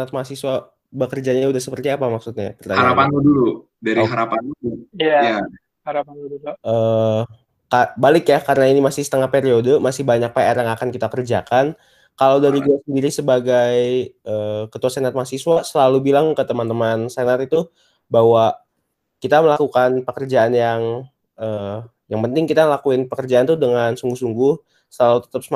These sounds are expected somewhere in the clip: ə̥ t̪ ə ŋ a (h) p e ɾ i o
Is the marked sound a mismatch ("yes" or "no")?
no